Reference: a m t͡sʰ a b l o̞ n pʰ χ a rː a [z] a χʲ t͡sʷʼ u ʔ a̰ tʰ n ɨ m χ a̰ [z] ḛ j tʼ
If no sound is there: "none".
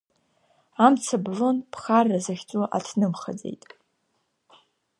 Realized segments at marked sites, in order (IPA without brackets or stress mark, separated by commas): z, d͡z